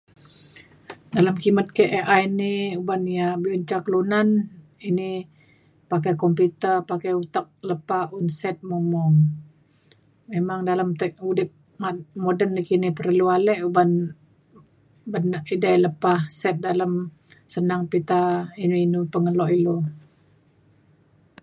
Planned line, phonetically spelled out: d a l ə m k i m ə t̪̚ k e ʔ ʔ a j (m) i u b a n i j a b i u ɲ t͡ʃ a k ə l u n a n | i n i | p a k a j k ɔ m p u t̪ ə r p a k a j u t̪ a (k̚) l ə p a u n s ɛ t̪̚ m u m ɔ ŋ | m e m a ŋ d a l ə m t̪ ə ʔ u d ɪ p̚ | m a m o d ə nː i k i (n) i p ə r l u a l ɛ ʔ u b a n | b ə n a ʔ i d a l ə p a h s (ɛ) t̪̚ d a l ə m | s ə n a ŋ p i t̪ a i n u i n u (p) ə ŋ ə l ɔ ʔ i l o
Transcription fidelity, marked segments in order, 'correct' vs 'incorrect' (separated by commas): incorrect, correct, correct, correct, correct